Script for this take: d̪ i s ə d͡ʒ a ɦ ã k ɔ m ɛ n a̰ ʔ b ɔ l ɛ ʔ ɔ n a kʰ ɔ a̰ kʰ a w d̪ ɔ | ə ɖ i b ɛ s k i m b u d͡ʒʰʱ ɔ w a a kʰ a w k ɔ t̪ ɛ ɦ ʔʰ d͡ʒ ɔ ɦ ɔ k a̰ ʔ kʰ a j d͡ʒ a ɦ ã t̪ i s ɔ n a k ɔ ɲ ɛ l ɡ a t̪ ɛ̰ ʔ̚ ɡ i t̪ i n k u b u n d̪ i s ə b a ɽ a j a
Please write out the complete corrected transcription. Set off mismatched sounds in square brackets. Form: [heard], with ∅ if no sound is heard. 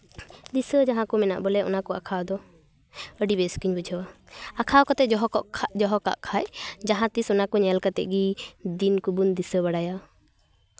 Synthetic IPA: d̪ i s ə d͡ʒ a ɦ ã k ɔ m ɛ n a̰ ʔ b ɔ l ɛ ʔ ɔ n a [k] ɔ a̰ kʰ a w d̪ ɔ | ə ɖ i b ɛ s k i [ɲ] b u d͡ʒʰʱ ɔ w a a kʰ a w k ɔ t̪ ɛ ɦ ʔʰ d͡ʒ ɔ ɦ ɔ k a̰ ʔ kʰ a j d͡ʒ a ɦ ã t̪ i s ɔ n a k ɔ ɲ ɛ l [k] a t̪ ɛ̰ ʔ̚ ɡ i [d̪] i n k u b u n d̪ i s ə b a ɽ a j a